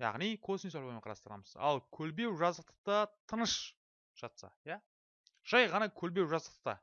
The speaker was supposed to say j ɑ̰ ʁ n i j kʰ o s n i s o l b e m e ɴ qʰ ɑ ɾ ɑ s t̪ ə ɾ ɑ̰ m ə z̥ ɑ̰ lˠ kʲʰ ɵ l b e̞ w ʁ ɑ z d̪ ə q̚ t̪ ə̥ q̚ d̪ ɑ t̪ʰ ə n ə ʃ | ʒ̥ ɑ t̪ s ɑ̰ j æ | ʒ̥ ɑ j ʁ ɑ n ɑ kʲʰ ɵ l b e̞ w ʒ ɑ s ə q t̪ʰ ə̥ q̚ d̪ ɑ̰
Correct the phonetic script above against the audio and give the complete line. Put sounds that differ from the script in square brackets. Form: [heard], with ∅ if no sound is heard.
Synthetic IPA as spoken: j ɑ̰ ʁ n i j kʰ o s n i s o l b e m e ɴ qʰ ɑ ɾ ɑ s t̪ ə ɾ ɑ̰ m ə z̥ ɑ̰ lˠ kʲʰ ɵ l b e̞ w [ʒ] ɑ z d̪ ə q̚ t̪ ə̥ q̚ [t̪] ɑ t̪ʰ ə n ə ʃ | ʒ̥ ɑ t̪ s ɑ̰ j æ | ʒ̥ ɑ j ʁ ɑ n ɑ kʲʰ ɵ l b e̞ w ʒ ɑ [z] ə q [t̪] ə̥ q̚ [t̪] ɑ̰